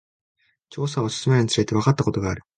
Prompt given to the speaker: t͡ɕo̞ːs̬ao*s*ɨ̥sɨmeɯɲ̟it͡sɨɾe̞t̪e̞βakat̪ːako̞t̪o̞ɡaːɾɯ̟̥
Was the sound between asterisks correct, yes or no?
yes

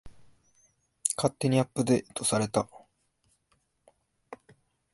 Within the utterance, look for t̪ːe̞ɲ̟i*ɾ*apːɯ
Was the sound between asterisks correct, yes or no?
no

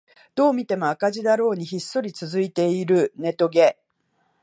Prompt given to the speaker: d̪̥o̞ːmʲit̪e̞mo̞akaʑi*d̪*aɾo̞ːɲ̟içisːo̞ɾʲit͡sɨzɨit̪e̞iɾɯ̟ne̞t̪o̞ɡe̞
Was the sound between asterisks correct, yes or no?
yes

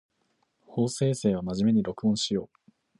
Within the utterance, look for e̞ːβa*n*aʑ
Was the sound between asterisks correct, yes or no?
no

